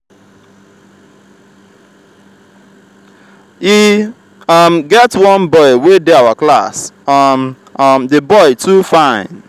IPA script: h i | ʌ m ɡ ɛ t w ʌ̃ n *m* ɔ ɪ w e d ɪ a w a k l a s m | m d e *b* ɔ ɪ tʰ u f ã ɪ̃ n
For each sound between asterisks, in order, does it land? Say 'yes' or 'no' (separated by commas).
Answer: no, yes